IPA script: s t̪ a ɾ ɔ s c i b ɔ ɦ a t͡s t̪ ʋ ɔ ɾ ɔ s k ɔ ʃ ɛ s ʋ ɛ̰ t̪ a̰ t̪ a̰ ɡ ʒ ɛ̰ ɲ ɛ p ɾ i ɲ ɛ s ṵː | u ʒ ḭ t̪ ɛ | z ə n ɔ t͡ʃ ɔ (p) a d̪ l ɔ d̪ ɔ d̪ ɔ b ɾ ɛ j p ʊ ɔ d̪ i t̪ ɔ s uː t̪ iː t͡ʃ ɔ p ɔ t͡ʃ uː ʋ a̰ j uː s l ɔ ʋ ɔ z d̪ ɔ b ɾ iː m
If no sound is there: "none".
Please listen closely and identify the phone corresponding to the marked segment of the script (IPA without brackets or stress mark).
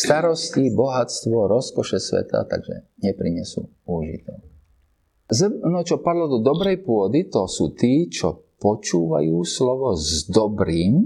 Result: p